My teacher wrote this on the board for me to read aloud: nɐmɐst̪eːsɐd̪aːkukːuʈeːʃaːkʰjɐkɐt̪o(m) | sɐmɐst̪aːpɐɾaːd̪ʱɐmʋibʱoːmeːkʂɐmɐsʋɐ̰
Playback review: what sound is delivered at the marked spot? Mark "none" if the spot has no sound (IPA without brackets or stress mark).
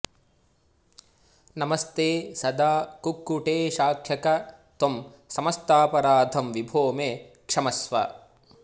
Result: m